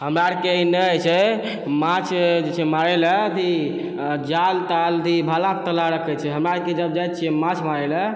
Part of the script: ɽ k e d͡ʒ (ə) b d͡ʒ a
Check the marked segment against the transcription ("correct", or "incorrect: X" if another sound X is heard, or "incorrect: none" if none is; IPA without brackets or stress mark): correct